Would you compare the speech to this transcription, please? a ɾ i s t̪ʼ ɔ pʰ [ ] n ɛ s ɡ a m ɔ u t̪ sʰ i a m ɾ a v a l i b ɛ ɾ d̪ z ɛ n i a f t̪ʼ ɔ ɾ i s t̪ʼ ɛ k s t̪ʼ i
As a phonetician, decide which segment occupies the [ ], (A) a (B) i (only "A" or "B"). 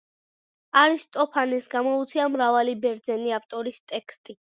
A